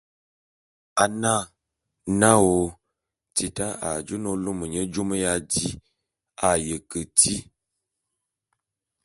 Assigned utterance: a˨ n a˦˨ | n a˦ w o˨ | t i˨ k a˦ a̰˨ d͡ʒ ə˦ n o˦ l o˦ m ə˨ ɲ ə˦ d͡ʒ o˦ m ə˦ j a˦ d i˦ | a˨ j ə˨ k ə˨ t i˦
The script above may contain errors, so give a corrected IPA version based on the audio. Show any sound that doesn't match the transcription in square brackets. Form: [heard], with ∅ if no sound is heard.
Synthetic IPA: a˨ n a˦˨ | n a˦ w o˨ | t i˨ [t] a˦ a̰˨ d͡ʒ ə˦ n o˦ l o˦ m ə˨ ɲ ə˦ d͡ʒ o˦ m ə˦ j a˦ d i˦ | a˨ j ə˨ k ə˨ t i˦